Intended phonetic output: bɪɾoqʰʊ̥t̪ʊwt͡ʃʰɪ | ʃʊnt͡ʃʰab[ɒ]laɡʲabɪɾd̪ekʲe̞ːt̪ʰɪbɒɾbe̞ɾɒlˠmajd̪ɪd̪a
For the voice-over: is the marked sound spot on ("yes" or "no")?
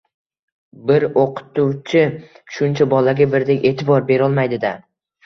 yes